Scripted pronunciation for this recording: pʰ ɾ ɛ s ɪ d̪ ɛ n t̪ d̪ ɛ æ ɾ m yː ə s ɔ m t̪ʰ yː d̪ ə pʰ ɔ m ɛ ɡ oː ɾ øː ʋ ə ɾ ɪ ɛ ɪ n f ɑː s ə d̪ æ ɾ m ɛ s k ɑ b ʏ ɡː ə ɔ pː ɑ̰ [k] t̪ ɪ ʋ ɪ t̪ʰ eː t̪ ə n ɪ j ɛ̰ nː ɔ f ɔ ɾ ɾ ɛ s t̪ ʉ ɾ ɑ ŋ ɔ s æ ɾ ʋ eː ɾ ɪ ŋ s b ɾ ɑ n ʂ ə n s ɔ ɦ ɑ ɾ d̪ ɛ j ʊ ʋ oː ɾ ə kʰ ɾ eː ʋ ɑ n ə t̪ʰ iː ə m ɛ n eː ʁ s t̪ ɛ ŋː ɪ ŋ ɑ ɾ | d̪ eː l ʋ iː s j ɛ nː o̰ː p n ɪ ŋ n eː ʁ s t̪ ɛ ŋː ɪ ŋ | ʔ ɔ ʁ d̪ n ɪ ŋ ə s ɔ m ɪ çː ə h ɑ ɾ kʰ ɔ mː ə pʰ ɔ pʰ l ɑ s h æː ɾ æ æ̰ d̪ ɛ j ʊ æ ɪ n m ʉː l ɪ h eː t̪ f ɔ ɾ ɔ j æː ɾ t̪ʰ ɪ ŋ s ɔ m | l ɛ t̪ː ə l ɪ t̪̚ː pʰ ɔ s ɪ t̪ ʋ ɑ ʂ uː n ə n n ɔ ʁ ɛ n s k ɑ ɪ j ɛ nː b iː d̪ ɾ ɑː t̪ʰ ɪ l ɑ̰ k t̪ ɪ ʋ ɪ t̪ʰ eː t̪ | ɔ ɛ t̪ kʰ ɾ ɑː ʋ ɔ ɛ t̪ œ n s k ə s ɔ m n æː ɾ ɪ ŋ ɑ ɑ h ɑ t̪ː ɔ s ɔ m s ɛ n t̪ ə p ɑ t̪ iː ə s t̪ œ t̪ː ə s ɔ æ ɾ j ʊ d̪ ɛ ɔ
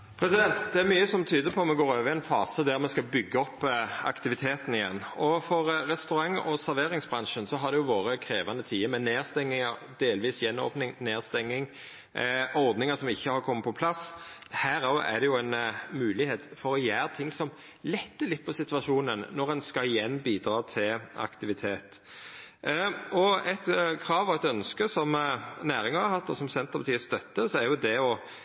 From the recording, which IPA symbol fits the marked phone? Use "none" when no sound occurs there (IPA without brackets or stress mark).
k